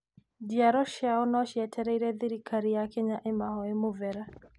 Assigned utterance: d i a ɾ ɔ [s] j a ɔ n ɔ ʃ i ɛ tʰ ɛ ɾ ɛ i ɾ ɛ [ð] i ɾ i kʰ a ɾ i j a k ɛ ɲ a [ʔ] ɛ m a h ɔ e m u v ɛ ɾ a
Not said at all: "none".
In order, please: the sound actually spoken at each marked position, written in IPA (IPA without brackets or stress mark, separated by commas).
ʃ, ð, ʔ